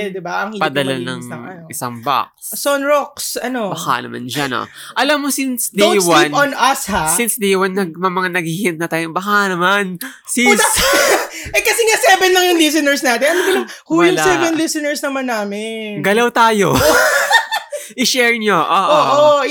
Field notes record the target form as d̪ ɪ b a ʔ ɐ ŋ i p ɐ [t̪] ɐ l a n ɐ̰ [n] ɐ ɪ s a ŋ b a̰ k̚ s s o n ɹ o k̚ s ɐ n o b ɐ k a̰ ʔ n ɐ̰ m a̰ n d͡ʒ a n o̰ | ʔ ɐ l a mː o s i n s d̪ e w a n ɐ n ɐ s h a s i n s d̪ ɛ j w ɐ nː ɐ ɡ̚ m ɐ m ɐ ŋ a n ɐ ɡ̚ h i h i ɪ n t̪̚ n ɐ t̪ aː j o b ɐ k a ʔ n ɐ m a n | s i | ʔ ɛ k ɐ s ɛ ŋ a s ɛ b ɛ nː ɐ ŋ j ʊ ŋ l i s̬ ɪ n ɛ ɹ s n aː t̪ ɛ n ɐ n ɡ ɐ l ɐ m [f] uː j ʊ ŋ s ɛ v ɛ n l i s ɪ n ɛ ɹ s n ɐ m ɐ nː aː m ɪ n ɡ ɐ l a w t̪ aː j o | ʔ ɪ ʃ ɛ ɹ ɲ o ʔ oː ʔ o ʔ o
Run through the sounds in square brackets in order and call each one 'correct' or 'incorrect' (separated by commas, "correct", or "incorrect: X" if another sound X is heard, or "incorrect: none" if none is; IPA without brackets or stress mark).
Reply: incorrect: d̪, incorrect: ŋ, incorrect: h